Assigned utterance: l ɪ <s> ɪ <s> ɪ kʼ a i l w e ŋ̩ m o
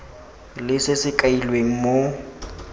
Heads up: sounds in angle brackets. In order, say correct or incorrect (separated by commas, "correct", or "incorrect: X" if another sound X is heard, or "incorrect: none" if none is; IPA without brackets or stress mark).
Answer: correct, correct